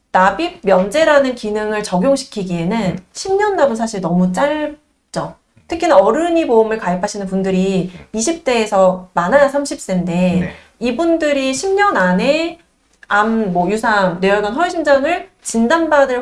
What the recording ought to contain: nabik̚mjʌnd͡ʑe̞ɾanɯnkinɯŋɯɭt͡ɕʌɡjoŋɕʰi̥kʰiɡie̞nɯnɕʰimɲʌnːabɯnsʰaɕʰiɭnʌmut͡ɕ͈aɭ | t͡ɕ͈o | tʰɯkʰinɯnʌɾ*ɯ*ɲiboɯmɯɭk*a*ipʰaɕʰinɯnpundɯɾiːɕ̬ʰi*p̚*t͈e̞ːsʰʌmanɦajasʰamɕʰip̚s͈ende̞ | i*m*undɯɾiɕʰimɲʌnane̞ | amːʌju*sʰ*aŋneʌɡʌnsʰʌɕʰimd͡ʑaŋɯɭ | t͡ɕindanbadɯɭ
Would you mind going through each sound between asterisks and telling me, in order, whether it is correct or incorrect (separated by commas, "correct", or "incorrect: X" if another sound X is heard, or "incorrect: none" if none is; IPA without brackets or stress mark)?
correct, correct, correct, incorrect: b, correct